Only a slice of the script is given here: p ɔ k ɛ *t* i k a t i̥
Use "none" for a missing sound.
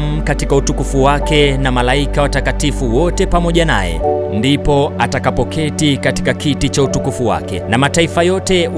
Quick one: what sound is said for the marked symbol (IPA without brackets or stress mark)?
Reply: t